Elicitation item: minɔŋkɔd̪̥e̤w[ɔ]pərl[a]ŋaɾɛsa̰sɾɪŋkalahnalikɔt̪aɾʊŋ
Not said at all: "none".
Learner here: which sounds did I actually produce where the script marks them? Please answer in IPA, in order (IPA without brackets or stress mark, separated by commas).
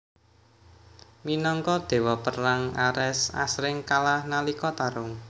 ɔ, a